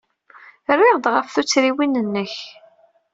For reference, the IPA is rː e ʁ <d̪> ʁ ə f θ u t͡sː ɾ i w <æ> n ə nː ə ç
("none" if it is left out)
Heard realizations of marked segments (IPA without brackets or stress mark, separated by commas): d̪, i